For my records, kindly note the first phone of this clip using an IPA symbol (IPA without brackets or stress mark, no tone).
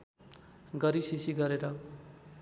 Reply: ɡ